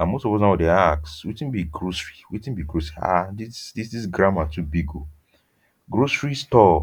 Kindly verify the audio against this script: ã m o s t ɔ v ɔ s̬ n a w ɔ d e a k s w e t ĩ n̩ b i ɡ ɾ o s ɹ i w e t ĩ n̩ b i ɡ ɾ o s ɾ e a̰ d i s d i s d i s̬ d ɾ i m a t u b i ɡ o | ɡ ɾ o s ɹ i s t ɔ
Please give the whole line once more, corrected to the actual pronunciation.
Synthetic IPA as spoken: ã m o s t ɔ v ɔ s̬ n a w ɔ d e a k s w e t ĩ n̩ b i ɡ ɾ o s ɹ i w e t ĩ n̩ b i ɡ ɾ o s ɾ i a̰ d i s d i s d i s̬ ɡ ɾ a m a t u b i ɡ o | ɡ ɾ o s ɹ i s t ɔ